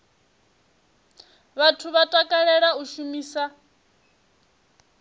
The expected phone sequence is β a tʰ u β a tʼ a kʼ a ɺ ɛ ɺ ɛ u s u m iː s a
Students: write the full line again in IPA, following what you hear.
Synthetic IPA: β a tʰ u β a tʼ a kʼ a ɺ ɛ ɺ a u ʃ u m iː s a